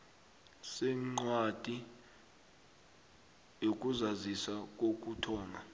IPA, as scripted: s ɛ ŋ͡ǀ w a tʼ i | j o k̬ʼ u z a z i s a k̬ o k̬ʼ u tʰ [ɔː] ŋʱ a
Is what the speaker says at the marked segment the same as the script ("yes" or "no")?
yes